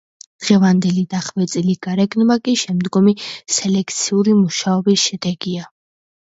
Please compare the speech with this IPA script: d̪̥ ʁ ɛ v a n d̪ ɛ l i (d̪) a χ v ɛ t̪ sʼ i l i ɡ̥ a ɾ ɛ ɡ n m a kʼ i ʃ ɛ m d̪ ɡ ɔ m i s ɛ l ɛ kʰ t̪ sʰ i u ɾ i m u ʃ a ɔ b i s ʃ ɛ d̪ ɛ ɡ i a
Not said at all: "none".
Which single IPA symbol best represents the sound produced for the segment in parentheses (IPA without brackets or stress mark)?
d̪